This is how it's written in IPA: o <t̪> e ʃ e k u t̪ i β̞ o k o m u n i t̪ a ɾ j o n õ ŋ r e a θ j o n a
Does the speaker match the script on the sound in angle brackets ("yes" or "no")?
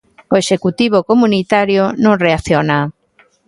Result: no